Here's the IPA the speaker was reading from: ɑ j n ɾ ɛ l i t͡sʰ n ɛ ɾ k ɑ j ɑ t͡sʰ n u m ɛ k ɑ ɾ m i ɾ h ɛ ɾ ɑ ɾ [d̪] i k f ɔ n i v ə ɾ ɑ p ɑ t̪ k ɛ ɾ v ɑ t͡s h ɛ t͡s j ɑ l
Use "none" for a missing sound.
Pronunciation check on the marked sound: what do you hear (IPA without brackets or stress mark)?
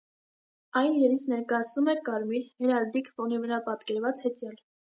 d̪